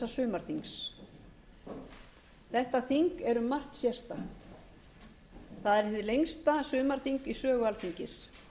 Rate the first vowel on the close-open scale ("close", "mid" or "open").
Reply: open